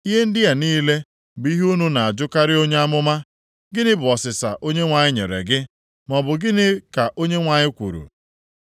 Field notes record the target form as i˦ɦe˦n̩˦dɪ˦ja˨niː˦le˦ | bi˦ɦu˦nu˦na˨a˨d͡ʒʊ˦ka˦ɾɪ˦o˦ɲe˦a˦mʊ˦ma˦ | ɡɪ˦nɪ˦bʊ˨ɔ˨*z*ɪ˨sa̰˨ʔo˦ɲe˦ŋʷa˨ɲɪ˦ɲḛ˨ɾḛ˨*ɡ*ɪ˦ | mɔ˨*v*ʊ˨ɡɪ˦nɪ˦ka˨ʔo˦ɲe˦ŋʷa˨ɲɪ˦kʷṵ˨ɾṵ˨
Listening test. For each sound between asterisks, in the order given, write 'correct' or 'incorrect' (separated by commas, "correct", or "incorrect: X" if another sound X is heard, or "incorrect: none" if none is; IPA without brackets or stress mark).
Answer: incorrect: s, correct, incorrect: b